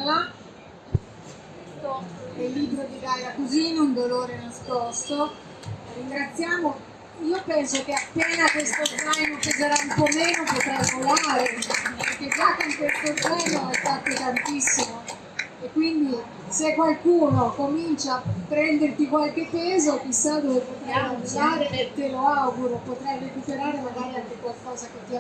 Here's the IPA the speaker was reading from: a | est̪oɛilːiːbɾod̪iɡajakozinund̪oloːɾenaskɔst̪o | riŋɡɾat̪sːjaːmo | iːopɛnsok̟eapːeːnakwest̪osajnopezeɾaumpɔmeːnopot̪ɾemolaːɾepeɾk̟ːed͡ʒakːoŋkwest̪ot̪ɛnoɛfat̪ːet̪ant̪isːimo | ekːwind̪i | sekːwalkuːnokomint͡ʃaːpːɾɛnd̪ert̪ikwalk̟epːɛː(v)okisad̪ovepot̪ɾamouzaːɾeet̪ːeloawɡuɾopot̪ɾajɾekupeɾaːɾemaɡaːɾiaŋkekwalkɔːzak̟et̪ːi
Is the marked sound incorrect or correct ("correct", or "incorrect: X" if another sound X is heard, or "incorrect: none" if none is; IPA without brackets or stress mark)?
incorrect: z